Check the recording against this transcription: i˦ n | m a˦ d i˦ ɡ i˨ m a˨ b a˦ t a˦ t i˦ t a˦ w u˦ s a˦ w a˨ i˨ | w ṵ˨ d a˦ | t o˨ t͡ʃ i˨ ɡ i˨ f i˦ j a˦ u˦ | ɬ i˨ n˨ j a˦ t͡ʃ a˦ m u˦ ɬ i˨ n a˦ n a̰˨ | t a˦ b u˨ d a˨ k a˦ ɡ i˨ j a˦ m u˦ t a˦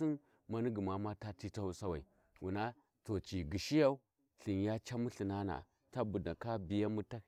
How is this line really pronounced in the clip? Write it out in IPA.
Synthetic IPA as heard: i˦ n | m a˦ n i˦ ɡ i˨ m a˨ m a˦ t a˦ t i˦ t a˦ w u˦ s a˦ w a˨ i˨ | w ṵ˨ n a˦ | t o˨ t͡ʃ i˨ ɡ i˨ ʃ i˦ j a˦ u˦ | ɬ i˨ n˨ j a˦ t͡ʃ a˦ m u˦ ɬ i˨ n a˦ n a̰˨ | t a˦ b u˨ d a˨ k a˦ b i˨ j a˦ m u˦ t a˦

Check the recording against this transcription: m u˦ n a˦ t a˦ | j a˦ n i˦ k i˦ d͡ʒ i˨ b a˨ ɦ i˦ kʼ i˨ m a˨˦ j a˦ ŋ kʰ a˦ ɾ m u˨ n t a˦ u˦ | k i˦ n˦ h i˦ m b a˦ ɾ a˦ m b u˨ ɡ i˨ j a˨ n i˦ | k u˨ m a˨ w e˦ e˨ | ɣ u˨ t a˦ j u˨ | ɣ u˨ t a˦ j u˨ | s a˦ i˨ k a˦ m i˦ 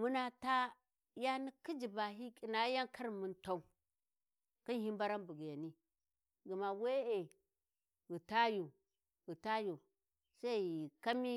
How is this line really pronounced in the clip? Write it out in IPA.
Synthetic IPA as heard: m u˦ n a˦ t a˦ | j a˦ n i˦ k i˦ d͡ʒ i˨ b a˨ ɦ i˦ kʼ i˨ n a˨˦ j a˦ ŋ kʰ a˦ ɾ m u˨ n t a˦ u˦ | k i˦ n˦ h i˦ m b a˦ ɾ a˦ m b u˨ ɡ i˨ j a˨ n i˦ | ɡ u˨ m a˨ w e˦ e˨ | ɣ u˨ t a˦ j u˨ | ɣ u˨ t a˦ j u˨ | s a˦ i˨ k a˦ m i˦

